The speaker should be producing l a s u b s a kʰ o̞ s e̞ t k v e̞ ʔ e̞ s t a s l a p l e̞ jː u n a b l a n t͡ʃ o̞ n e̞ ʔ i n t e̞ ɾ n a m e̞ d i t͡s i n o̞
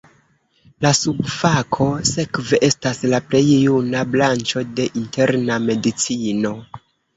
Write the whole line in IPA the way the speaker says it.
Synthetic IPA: l a s u b f a kʰ o̞ s e̞ k v e̞ ʔ e̞ s t a s l a p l e̞ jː u n a b l a n t͡ʃ o̞ d e̞ ʔ i n t e̞ ɾ n a m e̞ d i t͡s i n o̞